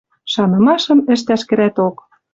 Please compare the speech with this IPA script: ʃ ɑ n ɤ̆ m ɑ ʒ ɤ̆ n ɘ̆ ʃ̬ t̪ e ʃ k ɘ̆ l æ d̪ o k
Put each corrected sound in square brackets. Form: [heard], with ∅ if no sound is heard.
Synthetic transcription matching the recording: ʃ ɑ n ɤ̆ m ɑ [ʃ] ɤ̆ [m] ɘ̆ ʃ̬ t̪ [æ] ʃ k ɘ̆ [ɾ] æ [t̪] o k